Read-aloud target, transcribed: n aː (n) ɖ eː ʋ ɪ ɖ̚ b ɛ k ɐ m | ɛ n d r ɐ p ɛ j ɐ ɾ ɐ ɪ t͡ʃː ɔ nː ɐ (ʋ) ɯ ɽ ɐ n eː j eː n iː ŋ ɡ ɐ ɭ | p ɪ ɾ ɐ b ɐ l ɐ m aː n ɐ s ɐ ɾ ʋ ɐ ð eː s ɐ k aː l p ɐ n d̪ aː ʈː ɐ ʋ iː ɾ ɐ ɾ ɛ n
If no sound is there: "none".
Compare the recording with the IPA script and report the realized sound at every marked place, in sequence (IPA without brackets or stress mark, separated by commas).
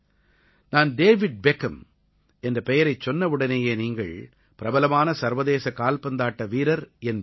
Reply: n, ʋ